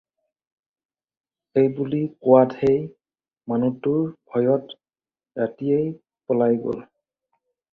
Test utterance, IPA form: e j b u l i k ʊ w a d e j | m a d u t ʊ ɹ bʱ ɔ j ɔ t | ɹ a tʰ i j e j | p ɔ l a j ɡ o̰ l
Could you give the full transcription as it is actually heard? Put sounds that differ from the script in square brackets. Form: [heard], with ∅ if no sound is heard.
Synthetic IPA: e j b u l i k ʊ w a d e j | m a [n] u t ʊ ɹ bʱ ɔ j ɔ t | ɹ a [t] i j e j | p ɔ l a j ɡ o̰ l